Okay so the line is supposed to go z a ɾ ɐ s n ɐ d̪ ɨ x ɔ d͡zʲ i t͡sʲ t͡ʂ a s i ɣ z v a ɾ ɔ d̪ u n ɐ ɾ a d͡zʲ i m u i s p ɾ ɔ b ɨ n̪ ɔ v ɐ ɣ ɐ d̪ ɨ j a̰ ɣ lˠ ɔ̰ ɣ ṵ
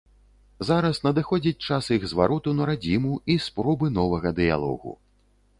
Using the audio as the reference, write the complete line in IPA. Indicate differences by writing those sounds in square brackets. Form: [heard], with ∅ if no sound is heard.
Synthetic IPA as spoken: z a ɾ ɐ s n ɐ d̪ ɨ x ɔ d͡zʲ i t͡sʲ t͡ʂ a s i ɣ z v a ɾ ɔ [t̪] u n ɐ ɾ a d͡zʲ i m u i s p ɾ ɔ b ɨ n̪ ɔ v ɐ ɣ ɐ d̪ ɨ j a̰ [∅] lˠ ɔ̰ ɣ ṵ